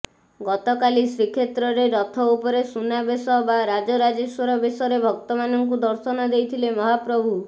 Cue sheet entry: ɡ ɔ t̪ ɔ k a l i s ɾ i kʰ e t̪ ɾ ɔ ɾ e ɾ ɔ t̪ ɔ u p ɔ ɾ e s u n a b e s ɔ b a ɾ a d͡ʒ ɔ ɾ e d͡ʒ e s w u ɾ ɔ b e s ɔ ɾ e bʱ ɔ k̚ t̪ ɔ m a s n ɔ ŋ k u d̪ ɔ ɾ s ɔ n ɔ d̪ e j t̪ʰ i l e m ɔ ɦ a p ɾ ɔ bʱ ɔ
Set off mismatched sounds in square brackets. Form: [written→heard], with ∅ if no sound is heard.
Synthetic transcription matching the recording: ɡ ɔ t̪ ɔ k a l i s ɾ i kʰ e t̪ ɾ ɔ ɾ e ɾ ɔ [t̪→t̪ʰ] ɔ u p ɔ ɾ e s u n a b e s ɔ b a ɾ a d͡ʒ ɔ ɾ [e→a] d͡ʒ e s w [u→ɔ] ɾ ɔ b e s ɔ ɾ e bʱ ɔ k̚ t̪ ɔ m a [s→∅] n ɔ ŋ k u d̪ ɔ ɾ s ɔ n ɔ d̪ e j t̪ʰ i l e m ɔ ɦ a p ɾ ɔ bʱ [ɔ→u]